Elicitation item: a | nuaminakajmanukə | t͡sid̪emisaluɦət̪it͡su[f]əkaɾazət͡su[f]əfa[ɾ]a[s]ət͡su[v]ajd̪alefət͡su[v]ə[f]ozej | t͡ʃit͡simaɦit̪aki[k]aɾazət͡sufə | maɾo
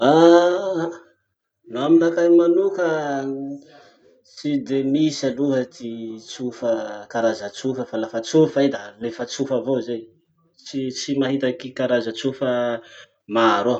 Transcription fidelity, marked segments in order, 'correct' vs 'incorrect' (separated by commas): correct, correct, incorrect, incorrect, incorrect, incorrect, incorrect, correct